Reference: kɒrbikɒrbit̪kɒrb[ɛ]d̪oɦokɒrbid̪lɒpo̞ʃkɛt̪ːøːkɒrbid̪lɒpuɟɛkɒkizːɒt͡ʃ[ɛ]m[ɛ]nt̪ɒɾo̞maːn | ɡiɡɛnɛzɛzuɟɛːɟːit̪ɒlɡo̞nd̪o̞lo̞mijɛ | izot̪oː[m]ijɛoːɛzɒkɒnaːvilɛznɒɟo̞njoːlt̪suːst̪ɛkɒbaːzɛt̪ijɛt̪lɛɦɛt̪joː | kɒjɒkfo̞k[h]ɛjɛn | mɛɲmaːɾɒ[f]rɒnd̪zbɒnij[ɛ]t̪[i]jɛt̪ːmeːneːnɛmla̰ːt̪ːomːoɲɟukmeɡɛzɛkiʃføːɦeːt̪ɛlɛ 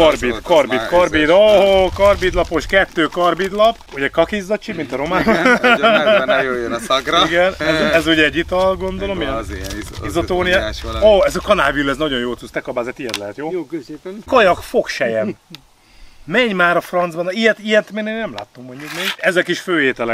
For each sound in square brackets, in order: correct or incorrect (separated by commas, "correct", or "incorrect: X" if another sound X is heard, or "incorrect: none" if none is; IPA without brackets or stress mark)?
incorrect: i, incorrect: i, incorrect: i, incorrect: n, incorrect: ʃ, correct, correct, correct